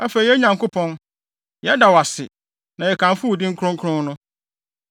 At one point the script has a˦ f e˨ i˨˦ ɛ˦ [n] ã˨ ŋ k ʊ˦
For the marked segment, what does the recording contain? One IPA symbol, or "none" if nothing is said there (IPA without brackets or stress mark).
ɲ